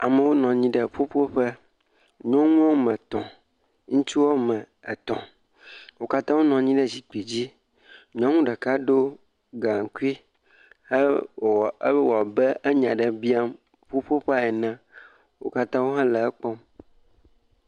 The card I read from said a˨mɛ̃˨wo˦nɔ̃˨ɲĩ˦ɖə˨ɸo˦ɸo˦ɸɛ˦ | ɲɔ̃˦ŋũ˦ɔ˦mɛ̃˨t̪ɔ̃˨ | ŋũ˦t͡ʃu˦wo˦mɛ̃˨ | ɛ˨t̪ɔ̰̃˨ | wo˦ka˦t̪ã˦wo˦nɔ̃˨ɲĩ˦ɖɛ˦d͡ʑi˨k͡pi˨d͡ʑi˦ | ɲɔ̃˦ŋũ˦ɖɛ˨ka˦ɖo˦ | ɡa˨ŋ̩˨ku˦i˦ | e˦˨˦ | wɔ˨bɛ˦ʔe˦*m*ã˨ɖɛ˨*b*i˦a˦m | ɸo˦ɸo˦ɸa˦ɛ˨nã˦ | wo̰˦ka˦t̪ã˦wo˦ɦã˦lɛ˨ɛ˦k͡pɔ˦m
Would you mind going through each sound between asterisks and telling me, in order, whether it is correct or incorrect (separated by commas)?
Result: incorrect, correct